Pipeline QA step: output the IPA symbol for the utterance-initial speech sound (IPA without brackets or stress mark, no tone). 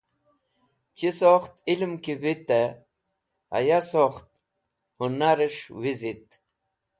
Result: t͡ɕ